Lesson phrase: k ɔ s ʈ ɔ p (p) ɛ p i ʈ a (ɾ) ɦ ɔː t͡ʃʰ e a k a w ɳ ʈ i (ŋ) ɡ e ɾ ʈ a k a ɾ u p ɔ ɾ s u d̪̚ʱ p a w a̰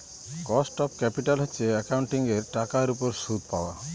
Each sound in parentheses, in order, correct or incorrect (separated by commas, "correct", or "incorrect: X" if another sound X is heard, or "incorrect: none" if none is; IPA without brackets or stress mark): incorrect: k, incorrect: l, correct